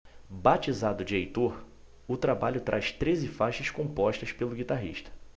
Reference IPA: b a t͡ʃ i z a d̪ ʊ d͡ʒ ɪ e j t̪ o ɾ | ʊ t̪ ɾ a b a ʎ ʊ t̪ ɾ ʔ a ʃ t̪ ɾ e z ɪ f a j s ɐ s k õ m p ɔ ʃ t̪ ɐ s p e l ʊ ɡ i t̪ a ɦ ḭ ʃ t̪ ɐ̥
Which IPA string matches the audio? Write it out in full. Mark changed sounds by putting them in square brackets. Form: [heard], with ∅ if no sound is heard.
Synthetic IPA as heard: b a t͡ʃ i z a d̪ ʊ d͡ʒ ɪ e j t̪ o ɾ | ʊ t̪ ɾ a b a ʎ ʊ t̪ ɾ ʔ a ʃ t̪ ɾ e z ɪ f a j [ʃ] ɐ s k õ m p ɔ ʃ t̪ ɐ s p e l ʊ ɡ i t̪ a ɦ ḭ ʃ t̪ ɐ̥